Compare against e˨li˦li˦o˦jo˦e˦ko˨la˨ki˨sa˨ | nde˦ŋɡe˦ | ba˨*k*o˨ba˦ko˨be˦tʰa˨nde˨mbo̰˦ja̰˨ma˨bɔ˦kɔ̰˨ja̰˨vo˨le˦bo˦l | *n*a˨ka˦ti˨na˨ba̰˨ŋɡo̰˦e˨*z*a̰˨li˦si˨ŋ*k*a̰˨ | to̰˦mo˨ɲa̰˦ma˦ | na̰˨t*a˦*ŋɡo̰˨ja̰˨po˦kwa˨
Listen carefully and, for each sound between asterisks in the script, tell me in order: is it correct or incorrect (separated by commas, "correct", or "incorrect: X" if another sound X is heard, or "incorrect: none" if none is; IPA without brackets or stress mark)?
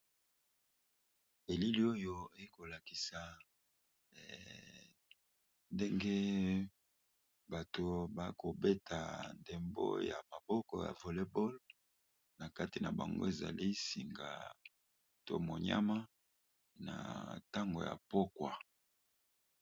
incorrect: t, correct, correct, incorrect: ɡ, correct